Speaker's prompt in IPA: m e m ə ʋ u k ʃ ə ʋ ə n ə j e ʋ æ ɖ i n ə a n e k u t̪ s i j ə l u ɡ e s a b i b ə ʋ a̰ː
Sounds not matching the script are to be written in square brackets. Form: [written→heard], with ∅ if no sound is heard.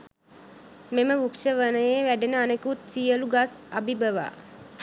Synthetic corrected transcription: m e m ə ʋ u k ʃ ə ʋ ə n ə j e ʋ æ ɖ [i→e] n ə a n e k u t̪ s i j ə l u ɡ [e→a] s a b i b ə ʋ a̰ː

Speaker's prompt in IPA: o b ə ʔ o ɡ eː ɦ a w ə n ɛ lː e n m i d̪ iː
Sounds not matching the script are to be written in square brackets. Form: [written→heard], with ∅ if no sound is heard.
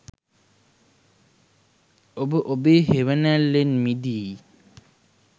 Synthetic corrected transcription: o b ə ʔ o [ɡ→b] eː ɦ [a→e] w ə n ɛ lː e n m i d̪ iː

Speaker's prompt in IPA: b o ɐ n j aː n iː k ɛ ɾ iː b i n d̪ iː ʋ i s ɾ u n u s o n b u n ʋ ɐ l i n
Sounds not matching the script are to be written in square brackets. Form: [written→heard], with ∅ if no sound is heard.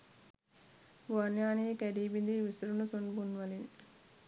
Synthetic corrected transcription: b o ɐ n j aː n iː k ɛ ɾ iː b i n d̪ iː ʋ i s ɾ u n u s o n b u n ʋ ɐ l i n

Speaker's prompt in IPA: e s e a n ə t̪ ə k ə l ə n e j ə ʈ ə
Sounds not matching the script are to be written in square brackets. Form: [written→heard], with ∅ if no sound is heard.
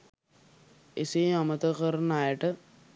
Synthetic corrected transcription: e s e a [n→m] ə t̪ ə k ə [l→ɾ] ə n [e→a] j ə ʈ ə

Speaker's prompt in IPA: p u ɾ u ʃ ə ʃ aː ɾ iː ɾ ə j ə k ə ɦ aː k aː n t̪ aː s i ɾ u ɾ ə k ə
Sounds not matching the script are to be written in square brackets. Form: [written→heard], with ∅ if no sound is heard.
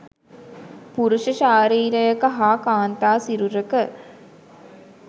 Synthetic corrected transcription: p u ɾ u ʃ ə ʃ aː ɾ iː ɾ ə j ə k ə ɦ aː k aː n t̪ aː s i ɾ u ɾ ə k ə

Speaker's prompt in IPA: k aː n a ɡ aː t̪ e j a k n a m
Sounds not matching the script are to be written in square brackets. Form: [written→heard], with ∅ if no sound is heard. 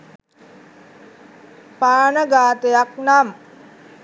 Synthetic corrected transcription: [k→p] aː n [a→ə] ɡ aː t̪ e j a k n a m

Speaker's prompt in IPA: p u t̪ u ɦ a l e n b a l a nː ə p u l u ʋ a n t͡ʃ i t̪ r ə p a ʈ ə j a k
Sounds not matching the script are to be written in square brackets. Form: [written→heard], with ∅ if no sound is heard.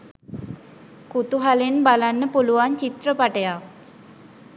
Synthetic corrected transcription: [p→k] u t̪ u ɦ a l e n b a l a nː ə p u l u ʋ a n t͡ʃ i t̪ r ə p a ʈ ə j a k

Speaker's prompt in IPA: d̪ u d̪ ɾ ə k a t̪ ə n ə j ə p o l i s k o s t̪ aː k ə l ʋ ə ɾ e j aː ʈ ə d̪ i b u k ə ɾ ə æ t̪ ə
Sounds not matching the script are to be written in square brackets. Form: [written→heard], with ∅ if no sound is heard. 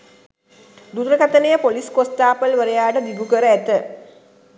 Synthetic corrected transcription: d̪ u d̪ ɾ ə k a t̪ ə n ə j ə p o l i s k o s t̪ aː [k→p] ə l ʋ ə ɾ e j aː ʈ ə d̪ i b u k ə ɾ ə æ t̪ ə

